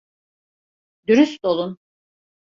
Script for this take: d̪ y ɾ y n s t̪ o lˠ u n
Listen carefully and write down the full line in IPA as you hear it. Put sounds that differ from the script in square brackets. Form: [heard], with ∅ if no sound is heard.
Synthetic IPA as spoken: d̪ y ɾ y [∅] s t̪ o lˠ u n